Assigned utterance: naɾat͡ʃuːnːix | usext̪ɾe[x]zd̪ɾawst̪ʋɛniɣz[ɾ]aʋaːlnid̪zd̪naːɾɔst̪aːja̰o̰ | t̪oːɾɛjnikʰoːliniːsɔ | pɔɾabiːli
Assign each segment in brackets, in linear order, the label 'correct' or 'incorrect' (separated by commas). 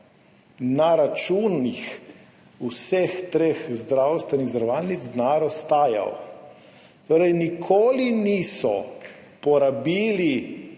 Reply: correct, correct